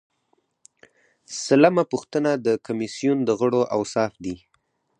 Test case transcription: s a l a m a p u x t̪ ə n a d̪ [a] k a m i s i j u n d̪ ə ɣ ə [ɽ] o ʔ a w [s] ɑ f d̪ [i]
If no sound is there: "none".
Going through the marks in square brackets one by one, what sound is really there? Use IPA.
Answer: ə, ɽ, s, i

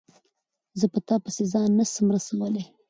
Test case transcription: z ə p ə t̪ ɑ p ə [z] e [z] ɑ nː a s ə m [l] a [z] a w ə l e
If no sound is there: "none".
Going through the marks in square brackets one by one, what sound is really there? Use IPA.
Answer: s, z, ɾ, s

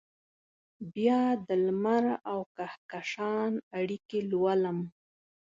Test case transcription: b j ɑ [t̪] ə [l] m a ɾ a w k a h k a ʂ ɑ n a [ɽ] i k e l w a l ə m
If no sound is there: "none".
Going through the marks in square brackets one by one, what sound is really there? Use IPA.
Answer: d̪, l, ɽ

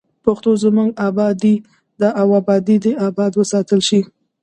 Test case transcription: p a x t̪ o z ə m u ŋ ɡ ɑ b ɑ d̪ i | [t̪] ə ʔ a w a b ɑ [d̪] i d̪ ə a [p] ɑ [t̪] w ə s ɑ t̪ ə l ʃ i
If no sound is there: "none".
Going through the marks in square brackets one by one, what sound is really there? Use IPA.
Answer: d̪, d̪, b, d̪

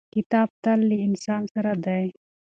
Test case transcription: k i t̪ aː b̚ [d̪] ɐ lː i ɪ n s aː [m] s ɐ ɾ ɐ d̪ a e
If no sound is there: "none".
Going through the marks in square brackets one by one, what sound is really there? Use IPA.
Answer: t̪, n

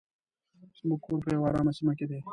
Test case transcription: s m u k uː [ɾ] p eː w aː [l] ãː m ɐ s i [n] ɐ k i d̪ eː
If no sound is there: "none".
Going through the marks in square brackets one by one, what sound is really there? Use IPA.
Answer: ɾ, ɾ, m

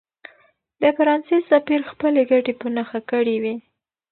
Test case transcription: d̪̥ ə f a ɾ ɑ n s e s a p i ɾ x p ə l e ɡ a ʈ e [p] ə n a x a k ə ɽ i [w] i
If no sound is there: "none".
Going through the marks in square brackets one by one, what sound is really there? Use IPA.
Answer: p, w

